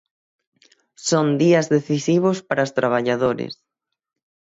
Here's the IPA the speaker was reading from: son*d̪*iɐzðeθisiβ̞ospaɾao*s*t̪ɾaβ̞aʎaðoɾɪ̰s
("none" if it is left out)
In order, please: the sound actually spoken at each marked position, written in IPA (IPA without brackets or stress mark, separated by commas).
d̪, s